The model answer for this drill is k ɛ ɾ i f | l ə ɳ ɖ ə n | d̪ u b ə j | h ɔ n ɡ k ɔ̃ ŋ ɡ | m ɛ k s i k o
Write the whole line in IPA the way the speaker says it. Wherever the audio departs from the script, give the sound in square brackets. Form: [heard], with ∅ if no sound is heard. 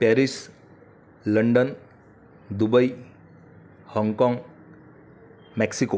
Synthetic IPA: [p] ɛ ɾ i [s] | l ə ɳ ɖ ə n | d̪ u b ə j | h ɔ [ŋ] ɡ k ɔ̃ ŋ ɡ | m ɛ k s i k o